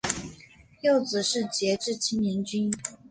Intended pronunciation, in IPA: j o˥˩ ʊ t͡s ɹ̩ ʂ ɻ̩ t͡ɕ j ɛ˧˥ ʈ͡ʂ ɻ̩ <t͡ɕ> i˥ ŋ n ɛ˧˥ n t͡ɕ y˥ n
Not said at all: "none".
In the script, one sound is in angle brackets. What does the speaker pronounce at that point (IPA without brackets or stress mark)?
t͡ɕʰ